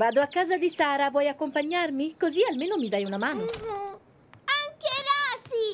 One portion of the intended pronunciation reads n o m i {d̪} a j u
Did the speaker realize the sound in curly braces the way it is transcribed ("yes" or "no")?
yes